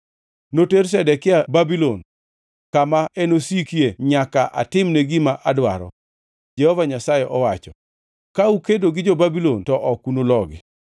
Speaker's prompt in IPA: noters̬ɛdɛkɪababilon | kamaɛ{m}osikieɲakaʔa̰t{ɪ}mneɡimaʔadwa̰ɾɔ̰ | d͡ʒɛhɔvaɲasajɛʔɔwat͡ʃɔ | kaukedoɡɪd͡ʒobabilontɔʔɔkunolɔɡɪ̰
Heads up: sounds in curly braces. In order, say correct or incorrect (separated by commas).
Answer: incorrect, correct